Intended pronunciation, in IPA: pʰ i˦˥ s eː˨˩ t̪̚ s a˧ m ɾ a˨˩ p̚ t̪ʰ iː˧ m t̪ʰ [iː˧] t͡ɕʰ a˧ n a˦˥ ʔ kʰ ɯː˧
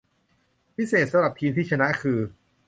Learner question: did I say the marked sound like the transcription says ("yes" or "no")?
no